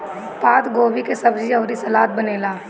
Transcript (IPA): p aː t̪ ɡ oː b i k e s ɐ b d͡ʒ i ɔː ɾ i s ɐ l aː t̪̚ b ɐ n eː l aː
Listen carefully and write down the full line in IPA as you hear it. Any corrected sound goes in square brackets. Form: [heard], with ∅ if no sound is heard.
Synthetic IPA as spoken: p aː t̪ ɡ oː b i k e s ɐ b d͡ʒ i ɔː ɾ i s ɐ l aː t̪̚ b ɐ n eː l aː